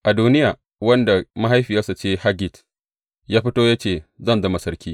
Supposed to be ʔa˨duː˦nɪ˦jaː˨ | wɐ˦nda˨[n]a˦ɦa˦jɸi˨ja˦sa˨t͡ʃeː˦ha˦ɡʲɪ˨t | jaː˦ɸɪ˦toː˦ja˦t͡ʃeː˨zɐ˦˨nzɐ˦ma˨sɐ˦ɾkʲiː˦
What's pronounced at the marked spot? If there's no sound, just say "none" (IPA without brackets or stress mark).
m